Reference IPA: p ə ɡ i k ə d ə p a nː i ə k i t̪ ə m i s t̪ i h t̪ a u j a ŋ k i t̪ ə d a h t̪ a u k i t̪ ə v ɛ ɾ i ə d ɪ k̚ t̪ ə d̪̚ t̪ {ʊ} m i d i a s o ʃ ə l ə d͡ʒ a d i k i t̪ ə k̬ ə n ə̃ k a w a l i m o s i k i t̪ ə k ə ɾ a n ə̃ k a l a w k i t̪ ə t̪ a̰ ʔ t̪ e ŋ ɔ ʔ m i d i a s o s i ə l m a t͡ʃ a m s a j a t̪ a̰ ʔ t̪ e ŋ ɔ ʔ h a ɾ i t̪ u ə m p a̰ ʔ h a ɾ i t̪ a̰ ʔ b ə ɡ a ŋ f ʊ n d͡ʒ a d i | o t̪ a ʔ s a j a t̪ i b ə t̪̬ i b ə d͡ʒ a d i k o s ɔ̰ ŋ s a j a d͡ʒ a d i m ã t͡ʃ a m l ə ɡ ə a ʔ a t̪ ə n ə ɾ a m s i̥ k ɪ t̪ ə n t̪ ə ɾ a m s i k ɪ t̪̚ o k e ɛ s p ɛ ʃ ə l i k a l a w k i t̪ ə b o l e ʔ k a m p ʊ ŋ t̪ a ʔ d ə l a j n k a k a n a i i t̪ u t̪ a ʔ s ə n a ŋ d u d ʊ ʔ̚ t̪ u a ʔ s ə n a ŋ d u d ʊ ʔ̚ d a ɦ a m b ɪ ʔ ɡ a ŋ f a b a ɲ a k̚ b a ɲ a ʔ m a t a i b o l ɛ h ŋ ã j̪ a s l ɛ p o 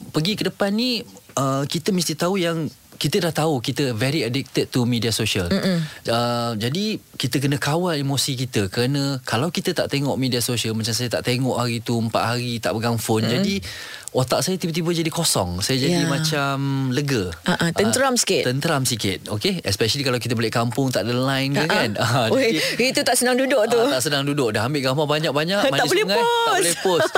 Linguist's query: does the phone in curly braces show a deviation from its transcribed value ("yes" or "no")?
yes